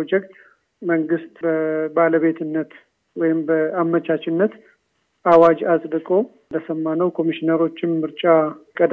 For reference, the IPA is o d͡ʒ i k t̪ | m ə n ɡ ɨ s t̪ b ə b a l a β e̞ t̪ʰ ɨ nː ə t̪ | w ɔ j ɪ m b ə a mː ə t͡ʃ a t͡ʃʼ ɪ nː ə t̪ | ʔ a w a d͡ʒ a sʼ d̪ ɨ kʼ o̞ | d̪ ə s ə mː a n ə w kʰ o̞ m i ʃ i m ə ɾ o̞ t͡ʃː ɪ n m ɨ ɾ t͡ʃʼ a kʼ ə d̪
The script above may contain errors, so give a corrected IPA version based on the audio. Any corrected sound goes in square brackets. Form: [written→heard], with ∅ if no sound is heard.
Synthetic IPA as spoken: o d͡ʒ [i→ɛ] k t̪ | m ə [n→ŋ] ɡ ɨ s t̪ b ə b a l [a→ə] β e̞ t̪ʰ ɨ nː ə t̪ | w ɔ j ɪ m b ə a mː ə t͡ʃ a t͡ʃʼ ɪ nː ə t̪ | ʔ a w a d͡ʒ a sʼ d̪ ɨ kʼ o̞ | d̪ ə s ə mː a n ə w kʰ o̞ m i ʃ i [m→n] ə ɾ o̞ t͡ʃː ɪ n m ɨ ɾ t͡ʃʼ a kʼ ə d̪